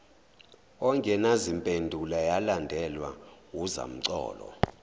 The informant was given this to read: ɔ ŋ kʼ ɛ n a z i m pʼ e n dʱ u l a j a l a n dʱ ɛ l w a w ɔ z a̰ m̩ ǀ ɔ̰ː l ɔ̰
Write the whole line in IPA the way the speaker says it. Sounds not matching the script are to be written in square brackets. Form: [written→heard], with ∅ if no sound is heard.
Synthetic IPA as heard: ɔ ŋ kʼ ɛ n a z i m pʼ e n dʱ u l a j a l a n dʱ ɛ l w a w [ɔ→u] z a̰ m̩ ǀ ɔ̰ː l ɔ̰